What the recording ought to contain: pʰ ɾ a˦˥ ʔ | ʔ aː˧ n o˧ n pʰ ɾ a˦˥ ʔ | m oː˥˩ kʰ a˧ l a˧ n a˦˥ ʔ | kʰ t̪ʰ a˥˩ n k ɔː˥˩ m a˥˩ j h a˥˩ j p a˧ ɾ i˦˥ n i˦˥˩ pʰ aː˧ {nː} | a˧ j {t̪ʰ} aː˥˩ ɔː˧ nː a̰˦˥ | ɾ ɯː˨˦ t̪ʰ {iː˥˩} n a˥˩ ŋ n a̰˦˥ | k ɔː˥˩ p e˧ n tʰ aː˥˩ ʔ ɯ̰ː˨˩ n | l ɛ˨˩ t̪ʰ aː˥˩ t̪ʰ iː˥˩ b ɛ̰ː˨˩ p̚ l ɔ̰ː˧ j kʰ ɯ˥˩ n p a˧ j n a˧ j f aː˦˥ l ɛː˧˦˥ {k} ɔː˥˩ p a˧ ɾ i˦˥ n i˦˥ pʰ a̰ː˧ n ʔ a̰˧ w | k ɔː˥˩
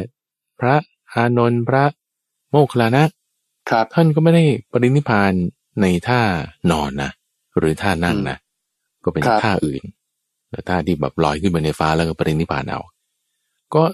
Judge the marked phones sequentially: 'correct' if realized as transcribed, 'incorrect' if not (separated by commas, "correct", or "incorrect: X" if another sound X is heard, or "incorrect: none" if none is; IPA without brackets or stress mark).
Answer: correct, correct, incorrect: aː˥˩, correct